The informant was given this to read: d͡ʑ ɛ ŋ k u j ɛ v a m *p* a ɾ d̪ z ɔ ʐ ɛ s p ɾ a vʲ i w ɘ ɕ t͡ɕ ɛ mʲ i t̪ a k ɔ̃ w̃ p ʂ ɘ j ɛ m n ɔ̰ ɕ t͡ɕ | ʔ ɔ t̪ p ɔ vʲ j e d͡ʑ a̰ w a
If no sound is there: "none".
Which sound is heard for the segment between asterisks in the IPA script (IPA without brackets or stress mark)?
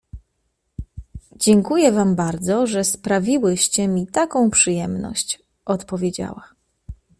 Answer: b